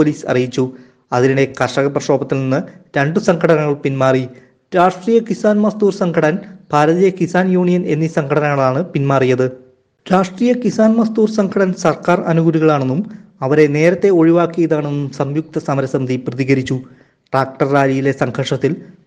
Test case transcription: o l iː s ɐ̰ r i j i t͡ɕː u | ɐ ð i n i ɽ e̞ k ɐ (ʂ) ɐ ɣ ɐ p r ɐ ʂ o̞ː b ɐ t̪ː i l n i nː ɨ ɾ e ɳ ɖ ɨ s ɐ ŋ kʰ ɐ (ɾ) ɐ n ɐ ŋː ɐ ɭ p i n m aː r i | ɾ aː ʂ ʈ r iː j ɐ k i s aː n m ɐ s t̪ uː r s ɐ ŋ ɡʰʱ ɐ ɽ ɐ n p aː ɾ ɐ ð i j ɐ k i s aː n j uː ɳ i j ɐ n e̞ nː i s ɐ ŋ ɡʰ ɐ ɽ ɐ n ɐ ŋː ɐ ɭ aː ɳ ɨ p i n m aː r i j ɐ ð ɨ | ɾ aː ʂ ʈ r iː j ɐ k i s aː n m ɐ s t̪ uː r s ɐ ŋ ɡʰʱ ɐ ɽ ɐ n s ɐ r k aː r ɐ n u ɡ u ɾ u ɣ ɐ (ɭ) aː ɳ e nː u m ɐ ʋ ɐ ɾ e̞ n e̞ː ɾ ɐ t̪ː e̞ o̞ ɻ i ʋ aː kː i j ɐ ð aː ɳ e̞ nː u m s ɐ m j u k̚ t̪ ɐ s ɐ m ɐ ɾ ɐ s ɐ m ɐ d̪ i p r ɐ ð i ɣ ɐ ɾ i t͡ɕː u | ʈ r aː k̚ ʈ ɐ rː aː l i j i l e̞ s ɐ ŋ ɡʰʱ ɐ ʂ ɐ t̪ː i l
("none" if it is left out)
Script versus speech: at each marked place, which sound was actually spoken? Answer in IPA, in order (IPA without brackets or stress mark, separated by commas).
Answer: ʂ, ɽ, ɭ